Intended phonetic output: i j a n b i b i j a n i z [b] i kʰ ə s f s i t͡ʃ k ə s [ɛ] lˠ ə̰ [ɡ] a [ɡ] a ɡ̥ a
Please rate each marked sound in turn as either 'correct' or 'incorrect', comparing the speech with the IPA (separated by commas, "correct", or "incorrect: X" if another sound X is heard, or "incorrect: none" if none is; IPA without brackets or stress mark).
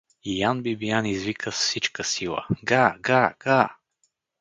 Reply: incorrect: v, incorrect: i, correct, correct